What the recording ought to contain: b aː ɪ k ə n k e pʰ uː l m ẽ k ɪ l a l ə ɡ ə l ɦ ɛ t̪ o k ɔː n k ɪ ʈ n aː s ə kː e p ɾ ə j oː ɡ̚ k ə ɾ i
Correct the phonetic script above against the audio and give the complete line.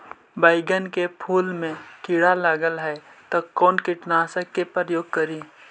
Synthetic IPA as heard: b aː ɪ ɡ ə n k e pʰ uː l m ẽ k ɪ ɽ a l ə ɡ ə l ɦ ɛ t̪ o k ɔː n k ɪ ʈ n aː s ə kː e p ɾ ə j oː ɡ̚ k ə ɾ i